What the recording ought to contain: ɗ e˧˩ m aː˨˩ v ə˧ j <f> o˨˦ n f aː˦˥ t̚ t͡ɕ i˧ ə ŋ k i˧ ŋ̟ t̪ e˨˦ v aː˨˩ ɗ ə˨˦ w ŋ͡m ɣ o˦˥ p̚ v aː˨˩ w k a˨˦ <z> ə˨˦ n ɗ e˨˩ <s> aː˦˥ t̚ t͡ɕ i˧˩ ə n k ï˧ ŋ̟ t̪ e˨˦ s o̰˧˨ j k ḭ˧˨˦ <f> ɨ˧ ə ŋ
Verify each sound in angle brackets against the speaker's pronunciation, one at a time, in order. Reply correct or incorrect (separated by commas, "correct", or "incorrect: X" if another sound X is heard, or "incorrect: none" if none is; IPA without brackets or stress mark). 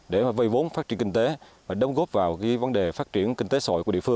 incorrect: v, incorrect: v, incorrect: f, correct